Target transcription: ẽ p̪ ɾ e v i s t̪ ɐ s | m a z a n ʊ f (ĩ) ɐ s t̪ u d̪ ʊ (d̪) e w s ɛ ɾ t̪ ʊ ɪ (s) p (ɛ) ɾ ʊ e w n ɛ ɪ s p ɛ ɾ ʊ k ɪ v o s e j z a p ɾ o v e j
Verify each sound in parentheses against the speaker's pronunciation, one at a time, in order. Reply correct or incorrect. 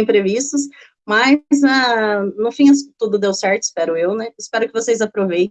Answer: correct, correct, correct, correct

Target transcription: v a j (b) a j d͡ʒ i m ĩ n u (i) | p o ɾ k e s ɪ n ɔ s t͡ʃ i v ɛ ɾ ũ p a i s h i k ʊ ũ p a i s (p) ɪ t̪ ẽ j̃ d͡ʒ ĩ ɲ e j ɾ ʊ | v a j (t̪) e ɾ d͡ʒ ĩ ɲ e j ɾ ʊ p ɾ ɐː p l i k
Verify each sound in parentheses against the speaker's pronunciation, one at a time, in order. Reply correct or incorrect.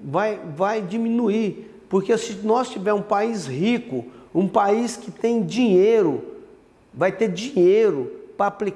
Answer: incorrect, correct, incorrect, correct

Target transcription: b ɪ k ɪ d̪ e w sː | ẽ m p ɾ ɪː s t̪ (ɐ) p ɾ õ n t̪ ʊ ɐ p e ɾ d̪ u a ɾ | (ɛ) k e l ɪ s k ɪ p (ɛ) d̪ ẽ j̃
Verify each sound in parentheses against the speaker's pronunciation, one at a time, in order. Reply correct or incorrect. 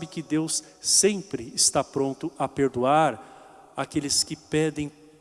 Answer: incorrect, incorrect, correct

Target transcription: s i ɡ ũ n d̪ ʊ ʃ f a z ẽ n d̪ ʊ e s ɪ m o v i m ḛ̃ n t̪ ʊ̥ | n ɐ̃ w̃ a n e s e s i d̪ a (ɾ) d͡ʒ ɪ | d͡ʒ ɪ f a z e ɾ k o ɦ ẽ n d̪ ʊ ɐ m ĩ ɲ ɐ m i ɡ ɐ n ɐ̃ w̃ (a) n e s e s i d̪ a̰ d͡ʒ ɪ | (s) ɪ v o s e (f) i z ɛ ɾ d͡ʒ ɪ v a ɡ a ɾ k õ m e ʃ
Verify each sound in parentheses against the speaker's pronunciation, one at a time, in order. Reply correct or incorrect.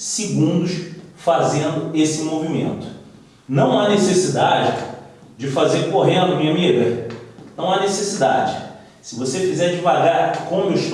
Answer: incorrect, correct, correct, correct

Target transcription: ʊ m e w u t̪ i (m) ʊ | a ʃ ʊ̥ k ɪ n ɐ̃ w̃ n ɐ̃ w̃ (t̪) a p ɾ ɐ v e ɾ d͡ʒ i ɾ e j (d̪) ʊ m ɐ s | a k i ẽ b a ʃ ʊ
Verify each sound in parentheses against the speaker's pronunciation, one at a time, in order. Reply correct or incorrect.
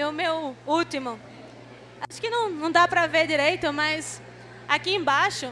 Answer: correct, incorrect, incorrect

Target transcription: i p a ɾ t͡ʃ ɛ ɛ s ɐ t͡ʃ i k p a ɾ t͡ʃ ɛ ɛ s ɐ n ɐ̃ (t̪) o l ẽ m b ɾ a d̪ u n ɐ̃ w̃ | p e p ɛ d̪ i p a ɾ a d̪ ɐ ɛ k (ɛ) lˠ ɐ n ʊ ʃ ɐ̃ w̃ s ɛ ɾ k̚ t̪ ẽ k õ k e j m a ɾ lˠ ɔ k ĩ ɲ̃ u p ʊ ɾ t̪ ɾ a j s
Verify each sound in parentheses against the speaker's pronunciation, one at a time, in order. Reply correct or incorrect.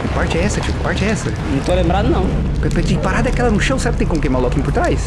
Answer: correct, correct

